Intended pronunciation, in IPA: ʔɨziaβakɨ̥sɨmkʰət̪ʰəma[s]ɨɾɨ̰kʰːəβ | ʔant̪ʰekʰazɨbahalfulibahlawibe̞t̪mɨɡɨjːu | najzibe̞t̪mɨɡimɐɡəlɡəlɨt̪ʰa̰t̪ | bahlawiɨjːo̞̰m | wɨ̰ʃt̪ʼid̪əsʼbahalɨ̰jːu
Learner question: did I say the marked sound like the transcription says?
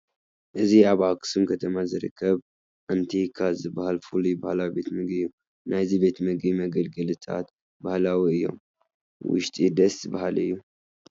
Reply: no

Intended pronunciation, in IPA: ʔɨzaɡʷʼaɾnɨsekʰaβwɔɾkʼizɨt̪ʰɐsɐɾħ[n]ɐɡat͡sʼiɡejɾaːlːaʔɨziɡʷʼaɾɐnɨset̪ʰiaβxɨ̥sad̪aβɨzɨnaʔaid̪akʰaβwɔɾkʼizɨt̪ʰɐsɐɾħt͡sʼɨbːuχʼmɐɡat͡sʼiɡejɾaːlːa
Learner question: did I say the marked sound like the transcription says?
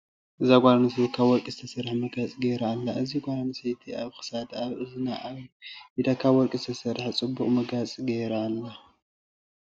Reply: no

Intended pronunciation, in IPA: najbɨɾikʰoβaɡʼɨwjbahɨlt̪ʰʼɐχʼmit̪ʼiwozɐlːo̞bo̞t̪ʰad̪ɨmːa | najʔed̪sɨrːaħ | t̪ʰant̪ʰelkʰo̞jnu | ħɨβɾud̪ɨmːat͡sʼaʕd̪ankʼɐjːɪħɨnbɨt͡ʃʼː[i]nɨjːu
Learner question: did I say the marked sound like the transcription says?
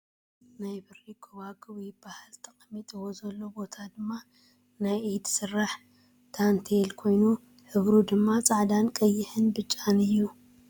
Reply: no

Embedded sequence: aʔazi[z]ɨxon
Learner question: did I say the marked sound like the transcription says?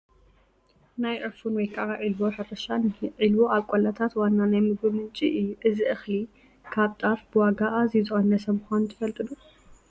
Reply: yes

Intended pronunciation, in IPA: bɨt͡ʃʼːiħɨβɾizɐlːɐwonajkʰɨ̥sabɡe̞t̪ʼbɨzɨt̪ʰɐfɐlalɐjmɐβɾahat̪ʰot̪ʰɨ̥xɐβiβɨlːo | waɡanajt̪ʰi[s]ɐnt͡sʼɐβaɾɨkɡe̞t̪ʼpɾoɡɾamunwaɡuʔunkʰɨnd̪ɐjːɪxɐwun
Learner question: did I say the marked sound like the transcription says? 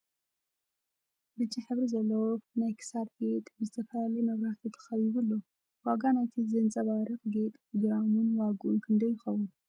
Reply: no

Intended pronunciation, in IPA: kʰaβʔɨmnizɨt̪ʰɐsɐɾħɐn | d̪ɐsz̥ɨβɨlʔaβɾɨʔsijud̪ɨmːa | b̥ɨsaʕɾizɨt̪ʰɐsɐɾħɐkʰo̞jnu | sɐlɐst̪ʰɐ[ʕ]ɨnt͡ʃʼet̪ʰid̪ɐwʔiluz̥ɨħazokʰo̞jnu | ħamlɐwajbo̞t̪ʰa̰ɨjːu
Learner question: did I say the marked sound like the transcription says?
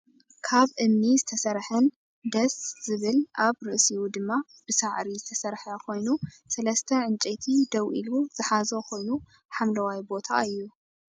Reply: yes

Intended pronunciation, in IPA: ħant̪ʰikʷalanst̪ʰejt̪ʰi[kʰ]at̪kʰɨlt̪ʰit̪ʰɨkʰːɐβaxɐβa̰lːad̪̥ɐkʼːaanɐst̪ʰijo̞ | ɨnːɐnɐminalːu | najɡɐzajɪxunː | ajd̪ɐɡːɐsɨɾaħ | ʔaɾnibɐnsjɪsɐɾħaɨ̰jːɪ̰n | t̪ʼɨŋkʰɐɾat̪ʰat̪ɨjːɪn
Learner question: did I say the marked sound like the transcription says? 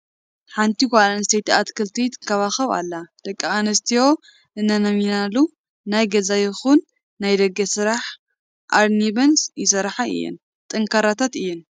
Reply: no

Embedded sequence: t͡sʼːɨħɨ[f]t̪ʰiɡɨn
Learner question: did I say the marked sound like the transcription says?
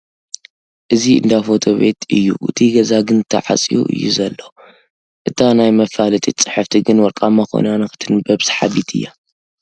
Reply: yes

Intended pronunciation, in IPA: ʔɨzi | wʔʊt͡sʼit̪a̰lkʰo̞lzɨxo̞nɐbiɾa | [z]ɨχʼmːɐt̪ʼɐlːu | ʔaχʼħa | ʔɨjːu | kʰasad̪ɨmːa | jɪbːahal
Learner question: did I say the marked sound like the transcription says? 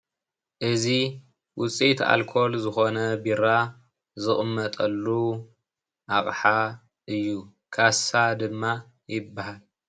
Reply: yes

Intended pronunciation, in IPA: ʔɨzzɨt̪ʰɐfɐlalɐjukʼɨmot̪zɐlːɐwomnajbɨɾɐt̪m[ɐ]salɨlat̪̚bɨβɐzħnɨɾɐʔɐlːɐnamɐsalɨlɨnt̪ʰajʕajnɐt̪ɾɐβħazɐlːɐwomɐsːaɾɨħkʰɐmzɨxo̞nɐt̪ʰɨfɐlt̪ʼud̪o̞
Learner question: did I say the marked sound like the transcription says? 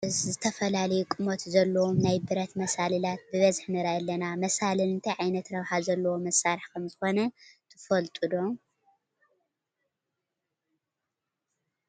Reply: yes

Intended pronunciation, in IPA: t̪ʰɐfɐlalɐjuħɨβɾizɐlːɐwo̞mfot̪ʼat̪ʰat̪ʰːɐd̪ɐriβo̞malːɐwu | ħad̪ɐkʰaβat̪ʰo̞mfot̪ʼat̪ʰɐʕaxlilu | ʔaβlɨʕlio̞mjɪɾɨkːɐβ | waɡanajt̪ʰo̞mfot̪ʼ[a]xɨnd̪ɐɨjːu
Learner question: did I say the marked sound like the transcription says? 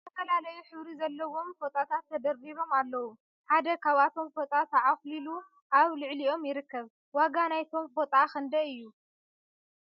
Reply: yes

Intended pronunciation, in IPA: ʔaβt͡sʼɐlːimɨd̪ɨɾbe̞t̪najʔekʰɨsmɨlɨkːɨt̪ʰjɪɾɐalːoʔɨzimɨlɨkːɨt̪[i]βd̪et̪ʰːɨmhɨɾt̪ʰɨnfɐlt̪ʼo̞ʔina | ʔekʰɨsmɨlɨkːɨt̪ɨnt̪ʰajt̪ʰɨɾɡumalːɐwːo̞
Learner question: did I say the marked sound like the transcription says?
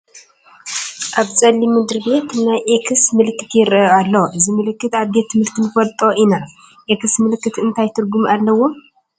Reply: no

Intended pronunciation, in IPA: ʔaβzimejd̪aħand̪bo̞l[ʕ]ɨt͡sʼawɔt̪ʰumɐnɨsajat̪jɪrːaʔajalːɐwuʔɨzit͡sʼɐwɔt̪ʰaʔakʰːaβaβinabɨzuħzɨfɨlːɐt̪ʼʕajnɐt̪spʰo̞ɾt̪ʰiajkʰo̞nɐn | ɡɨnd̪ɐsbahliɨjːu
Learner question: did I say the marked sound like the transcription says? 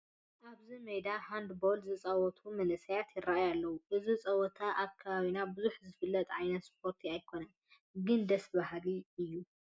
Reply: no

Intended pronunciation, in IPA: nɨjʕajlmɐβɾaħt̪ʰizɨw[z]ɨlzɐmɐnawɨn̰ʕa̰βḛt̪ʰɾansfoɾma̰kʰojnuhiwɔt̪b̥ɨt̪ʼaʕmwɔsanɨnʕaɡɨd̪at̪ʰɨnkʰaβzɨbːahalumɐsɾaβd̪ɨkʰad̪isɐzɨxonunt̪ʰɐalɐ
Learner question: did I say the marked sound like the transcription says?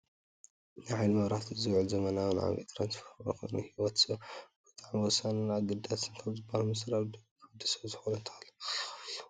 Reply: no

